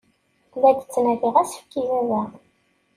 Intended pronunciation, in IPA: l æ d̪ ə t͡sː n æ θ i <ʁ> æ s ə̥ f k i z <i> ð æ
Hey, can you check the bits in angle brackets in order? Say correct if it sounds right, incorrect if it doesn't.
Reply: correct, incorrect

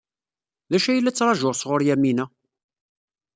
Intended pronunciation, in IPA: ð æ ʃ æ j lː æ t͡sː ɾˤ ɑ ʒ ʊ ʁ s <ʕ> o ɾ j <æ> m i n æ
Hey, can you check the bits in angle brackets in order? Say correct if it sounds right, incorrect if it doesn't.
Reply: incorrect, correct

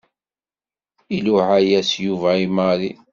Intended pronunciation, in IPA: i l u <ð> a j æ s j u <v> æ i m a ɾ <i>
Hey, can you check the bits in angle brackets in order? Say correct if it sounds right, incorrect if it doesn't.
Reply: incorrect, correct, correct

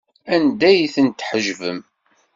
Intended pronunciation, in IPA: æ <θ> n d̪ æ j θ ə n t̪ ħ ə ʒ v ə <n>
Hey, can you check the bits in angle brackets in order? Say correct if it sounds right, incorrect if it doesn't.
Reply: incorrect, incorrect

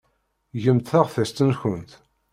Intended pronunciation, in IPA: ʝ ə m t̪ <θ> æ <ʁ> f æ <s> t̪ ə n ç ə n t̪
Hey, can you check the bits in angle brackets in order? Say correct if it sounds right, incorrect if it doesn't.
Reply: correct, correct, correct

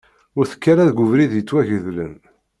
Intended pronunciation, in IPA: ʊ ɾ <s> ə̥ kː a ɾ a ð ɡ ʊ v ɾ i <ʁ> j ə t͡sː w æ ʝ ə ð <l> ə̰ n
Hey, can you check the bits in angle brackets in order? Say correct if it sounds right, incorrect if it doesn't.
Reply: incorrect, incorrect, correct

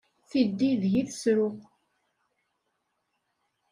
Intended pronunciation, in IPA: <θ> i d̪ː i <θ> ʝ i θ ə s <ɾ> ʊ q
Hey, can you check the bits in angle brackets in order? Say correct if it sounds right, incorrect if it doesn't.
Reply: correct, incorrect, correct

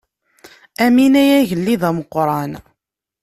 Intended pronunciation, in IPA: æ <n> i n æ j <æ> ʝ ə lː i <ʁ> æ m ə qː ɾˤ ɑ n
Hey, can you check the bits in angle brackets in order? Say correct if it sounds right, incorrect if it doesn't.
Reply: incorrect, correct, incorrect

